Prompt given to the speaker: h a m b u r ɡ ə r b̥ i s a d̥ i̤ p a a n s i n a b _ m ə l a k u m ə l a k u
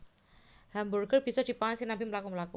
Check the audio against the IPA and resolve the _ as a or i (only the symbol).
i